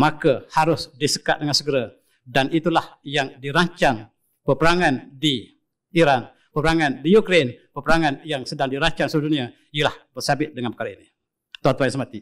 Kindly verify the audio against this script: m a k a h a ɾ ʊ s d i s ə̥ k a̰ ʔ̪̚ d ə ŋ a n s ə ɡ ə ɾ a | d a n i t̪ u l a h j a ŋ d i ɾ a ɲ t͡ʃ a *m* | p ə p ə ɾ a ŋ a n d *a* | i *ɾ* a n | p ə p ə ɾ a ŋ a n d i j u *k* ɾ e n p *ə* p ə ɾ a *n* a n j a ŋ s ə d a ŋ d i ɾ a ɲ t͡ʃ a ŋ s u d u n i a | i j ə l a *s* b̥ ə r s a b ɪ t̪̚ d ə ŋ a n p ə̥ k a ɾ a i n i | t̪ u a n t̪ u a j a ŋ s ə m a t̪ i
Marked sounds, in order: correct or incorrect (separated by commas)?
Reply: incorrect, incorrect, correct, correct, correct, incorrect, incorrect